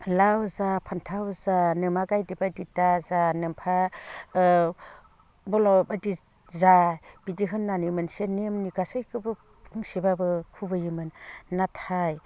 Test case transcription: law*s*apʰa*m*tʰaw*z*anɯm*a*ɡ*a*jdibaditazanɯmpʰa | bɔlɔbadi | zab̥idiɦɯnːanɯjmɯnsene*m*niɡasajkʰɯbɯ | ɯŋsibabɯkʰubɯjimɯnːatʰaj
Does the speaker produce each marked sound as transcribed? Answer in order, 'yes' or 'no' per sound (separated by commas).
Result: no, no, yes, yes, yes, yes